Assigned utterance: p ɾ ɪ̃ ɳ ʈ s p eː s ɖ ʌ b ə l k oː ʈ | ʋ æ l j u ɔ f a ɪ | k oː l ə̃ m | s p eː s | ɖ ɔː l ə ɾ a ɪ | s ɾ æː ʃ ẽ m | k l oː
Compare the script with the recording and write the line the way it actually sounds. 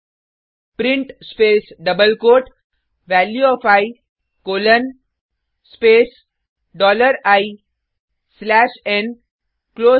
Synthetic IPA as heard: p ɾ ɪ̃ ɳ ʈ s p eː s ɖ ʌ b ə l k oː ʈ | ʋ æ l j u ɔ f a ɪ | k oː l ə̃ n | s p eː s | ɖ ɔː l ə ɾ a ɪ | s l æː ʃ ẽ n | k l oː